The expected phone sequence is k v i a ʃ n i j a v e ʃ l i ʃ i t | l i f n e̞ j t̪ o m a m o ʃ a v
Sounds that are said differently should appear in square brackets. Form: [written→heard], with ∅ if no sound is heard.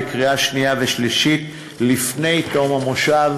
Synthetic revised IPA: k [v→ʁ] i a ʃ n i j a v e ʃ l i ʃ i t | l i f n e̞ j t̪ o m a m o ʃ a v

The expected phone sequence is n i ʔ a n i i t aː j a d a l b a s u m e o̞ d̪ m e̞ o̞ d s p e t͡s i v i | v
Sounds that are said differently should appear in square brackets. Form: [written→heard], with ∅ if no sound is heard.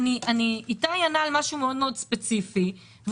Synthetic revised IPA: n i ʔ a n i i t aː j a [d→n] a l [b→m] a [s→ʃ] u m e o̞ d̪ m e̞ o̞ d s p e t͡s i [v→f] i | v

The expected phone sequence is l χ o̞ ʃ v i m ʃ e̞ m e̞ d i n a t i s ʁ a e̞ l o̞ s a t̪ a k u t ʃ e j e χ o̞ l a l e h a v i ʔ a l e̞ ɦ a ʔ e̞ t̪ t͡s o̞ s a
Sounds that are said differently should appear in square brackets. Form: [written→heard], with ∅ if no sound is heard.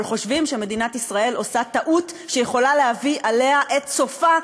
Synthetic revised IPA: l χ o̞ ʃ v i m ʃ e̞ m e̞ d i n a t i s ʁ a e̞ l o̞ s a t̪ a [k→ʔ] u t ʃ e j e χ o̞ l a l e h a v i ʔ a l e̞ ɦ a ʔ e̞ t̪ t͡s o̞ [s→f] a

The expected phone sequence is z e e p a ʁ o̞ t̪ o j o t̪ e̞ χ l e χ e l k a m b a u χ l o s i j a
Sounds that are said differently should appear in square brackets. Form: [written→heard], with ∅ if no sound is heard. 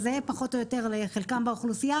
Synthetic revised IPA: z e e p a [ʁ→χ] o̞ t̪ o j o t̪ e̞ [χ→ʁ] l e χ e l k a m b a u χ l [o→u] s i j a

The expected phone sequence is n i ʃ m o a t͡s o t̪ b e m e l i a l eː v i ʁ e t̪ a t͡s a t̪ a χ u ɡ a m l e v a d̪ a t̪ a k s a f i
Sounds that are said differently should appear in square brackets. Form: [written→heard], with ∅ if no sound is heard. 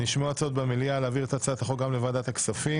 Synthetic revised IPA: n i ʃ m o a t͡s o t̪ b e m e l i a l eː v i ʁ e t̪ a t͡s a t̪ a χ [u→o] ɡ a m l e v a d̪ a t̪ a k s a f i

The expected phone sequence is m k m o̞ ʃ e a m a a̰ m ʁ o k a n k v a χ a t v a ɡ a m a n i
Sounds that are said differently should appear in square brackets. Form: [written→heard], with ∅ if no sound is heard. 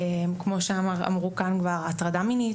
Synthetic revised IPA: m k m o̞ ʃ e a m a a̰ m ʁ [o→u] k a n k v a [χ→ʁ] a t [v→ʁ] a [ɡ→d] a m [a→i] n i

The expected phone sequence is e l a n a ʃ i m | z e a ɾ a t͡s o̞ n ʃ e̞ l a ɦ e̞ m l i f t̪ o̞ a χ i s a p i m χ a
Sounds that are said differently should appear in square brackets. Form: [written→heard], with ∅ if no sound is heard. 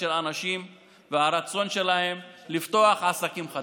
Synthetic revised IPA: e l a n a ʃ i m | [z→v] e a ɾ a t͡s o̞ n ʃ e̞ l a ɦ e̞ m l i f t̪ o̞ a χ [i→a] s a [p→k] i m χ a

